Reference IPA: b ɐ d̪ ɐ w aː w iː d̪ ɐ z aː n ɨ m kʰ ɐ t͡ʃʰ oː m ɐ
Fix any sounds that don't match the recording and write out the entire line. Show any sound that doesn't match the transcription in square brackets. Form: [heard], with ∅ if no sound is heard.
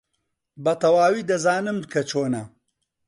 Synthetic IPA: b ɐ [t̪] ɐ w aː w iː d̪ ɐ z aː n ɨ m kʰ ɐ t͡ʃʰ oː [n] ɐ